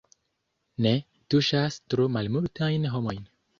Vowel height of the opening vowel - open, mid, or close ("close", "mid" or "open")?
mid